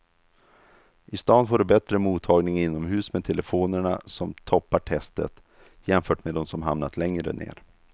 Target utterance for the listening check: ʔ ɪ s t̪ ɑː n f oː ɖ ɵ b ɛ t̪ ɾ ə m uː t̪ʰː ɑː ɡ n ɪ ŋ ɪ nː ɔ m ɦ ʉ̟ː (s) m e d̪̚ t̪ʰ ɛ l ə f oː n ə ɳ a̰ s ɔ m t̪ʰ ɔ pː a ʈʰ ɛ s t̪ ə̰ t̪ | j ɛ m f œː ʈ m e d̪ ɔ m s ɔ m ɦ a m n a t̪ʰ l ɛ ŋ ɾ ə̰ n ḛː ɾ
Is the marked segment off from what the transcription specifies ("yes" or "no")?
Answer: no